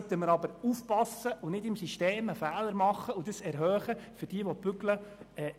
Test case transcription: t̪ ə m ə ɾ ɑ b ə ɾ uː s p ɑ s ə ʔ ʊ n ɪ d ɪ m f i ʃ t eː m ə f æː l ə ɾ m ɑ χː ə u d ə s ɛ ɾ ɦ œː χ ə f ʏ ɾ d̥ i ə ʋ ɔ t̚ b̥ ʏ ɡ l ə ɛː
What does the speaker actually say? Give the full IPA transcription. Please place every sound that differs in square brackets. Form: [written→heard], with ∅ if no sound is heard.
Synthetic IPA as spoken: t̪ ə m ə ɾ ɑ b ə ɾ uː [s→f] p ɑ s ə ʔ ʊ n ɪ d ɪ m [f→s] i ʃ t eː m ə f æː l ə ɾ m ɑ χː ə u d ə s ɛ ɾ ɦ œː χ ə f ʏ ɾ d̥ i ə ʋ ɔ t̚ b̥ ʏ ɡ l ə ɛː